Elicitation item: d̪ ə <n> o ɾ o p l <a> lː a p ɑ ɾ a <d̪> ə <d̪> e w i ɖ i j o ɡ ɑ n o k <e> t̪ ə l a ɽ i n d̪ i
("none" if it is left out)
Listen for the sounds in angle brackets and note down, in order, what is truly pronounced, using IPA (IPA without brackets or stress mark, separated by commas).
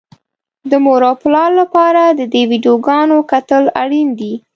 m, ɑ, d̪, d̪, a